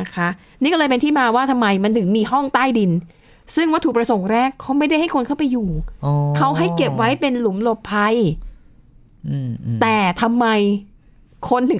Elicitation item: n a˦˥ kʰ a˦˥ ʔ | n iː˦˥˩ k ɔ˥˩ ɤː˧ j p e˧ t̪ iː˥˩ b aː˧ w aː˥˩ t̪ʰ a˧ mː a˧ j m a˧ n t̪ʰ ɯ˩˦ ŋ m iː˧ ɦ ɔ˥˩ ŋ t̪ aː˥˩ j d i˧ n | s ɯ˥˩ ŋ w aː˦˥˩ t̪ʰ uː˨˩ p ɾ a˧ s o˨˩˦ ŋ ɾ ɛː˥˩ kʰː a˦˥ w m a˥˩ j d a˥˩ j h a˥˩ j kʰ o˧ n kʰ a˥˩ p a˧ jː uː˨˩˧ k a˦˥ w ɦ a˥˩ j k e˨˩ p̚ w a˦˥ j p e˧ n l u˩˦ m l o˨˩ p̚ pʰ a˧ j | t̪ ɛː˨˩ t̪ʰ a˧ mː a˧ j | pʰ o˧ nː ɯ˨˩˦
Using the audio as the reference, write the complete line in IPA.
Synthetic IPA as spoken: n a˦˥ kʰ a˦˥ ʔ | n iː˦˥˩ k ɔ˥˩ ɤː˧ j p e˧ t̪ iː˥˩ m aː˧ w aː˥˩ t̪ʰ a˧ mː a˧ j m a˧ n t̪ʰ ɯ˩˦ ŋ m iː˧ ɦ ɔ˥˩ ŋ t̪ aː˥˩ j d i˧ n | s ɯ˥˩ ŋ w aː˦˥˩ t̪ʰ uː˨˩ p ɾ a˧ s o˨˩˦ ŋ ɾ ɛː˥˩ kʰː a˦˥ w m a˥˩ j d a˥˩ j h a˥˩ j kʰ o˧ n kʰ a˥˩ p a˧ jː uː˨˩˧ kʰ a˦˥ w ɦ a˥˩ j k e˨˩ p̚ w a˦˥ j p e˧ n l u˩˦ m l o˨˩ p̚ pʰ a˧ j | t̪ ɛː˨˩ t̪ʰ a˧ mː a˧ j | kʰ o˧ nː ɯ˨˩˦